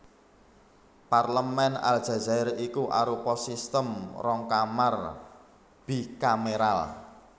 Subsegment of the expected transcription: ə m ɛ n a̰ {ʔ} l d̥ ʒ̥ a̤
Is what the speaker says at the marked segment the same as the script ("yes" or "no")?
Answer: no